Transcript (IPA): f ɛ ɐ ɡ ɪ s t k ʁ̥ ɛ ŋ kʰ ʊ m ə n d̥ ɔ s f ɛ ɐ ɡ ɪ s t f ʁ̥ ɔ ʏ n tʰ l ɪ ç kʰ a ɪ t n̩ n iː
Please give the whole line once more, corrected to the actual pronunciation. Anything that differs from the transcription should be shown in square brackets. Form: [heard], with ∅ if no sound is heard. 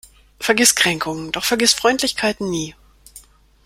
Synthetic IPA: f ɛ ɐ ɡ ɪ s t k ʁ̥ ɛ ŋ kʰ ʊ [ŋ] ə n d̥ ɔ [χ] f ɛ ɐ ɡ ɪ s t f ʁ̥ ɔ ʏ n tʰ l ɪ ç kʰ a ɪ t n̩ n iː